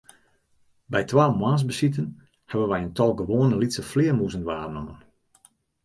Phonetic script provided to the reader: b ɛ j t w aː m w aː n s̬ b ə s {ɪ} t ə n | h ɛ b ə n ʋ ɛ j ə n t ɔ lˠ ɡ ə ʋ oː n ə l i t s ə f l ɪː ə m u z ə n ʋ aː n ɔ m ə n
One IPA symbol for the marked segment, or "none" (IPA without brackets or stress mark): i